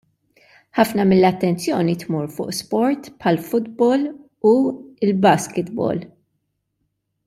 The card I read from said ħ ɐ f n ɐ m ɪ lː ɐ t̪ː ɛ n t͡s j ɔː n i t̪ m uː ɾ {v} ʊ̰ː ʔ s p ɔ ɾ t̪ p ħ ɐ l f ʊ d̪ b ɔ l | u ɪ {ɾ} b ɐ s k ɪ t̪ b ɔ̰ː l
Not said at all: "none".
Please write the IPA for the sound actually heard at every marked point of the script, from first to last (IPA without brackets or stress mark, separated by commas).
f, l